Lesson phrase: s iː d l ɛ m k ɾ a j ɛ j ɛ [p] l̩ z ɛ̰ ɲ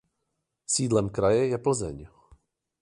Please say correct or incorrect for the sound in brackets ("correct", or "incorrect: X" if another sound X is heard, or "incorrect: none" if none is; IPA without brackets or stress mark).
correct